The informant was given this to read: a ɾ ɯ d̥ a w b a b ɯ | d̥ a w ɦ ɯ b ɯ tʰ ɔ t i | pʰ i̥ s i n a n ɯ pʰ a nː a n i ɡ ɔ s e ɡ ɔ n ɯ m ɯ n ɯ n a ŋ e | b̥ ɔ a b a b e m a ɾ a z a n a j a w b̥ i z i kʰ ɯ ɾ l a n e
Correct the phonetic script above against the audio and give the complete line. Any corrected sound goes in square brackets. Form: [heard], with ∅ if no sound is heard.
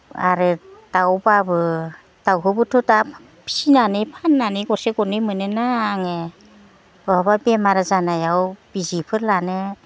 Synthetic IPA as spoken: a ɾ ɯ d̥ a w b a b ɯ | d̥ a w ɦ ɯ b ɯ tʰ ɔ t [a] | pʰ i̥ s i n a n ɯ pʰ a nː a n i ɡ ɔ s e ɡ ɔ n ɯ m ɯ n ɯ n a ŋ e | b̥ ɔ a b a b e m a ɾ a z a n a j a w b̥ i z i [pʰ] ɯ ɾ l a n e